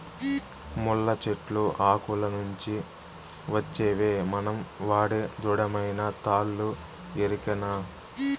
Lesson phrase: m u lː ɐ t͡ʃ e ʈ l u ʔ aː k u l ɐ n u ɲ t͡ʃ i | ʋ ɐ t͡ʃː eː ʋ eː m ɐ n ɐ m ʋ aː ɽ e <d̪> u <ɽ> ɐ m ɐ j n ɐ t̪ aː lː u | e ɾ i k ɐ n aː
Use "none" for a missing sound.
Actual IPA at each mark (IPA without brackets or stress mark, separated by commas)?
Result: d̪, ɽ